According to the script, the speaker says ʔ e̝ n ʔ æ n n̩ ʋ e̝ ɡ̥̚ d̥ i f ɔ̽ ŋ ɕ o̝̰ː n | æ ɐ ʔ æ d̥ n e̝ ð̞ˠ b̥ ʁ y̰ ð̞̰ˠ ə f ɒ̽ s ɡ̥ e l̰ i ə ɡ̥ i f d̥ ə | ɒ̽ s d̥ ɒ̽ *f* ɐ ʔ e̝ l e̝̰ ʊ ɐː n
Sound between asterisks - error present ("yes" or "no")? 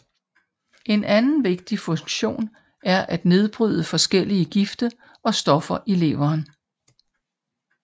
no